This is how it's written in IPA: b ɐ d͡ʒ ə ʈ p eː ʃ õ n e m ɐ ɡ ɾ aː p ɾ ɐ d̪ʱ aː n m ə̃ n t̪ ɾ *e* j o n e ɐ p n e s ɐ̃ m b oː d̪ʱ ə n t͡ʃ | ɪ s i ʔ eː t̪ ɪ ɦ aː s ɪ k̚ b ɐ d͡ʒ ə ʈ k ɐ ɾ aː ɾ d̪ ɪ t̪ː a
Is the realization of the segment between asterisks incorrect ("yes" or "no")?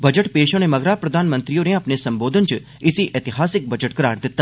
yes